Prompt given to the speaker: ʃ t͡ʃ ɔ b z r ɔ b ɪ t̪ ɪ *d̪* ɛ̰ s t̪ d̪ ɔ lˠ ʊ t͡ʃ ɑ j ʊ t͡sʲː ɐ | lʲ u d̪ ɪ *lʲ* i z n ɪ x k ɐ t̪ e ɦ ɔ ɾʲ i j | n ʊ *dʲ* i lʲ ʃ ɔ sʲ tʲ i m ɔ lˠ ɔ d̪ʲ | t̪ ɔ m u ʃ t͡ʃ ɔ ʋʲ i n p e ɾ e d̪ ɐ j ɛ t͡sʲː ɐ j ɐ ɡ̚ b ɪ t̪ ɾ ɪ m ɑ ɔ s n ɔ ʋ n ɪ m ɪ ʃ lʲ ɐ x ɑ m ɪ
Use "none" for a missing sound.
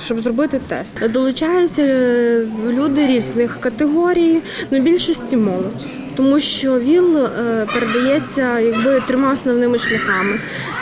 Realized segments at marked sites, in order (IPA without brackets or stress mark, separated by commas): t̪, ɾʲ, bʲ